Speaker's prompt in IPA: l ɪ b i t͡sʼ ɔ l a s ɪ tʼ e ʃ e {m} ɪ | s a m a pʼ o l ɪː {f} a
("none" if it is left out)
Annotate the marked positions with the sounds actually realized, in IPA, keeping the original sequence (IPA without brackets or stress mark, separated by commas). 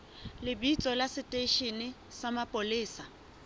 n, s